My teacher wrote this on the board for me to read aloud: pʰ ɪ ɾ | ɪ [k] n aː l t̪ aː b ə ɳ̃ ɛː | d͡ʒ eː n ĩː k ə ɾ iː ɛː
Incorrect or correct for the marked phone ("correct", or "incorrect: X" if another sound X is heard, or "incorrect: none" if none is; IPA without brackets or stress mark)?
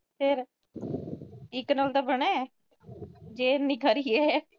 correct